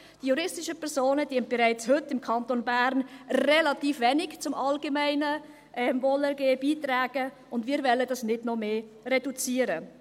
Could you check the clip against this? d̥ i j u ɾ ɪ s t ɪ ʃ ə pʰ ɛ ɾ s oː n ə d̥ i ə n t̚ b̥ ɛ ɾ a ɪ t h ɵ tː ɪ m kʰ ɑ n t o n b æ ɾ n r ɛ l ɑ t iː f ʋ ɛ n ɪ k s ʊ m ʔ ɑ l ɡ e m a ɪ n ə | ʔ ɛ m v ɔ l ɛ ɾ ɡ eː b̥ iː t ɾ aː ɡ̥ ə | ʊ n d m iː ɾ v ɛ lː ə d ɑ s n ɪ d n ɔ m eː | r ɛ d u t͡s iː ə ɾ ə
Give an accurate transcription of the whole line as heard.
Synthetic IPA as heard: d̥ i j u ɾ ɪ s t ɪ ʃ ə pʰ ɛ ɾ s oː n ə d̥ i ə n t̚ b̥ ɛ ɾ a ɪ t͡s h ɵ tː ɪ m kʰ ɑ n t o n b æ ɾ n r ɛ l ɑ t iː f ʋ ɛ n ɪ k t͡s ʊ m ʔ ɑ l ɡ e m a ɪ n ə | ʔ ɛ m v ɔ l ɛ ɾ ɡ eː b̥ iː t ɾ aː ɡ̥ ə | ʊ n d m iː ɾ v ɛ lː ə d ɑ s n ɪ d n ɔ m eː | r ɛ d u t͡s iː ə ɾ ə